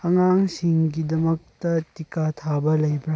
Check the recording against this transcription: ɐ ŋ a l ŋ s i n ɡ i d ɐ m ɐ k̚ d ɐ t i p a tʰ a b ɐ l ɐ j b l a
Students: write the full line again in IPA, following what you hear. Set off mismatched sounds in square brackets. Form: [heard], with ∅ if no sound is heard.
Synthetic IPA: ɐ ŋ a [∅] ŋ s i [ŋ] ɡ i d ɐ m ɐ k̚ [t] ɐ t i [k] a tʰ a b ɐ l ɐ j b [ɾ] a